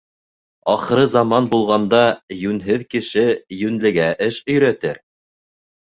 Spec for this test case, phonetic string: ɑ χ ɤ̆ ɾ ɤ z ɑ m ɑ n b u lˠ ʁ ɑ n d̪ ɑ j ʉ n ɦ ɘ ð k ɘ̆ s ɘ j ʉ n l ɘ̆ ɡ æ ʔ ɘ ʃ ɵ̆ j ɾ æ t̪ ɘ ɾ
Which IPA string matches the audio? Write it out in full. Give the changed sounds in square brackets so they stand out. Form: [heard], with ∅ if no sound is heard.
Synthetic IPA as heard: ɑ χ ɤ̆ ɾ ɤ z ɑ m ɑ n b u lˠ ʁ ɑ n d̪ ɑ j ʉ n ɦ ɘ ð k ɘ̆ [ʃ] ɘ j ʉ n l ɘ̆ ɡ æ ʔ ɘ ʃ ɵ̆ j ɾ æ t̪ ɘ ɾ